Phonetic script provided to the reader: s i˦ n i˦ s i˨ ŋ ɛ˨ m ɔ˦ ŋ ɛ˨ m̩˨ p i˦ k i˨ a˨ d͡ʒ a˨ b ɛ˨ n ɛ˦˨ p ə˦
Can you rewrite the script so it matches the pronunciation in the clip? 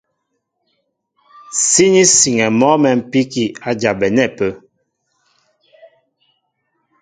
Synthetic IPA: s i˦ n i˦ s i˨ ŋ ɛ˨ m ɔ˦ m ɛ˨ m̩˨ p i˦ k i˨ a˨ d͡ʒ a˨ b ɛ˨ n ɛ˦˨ p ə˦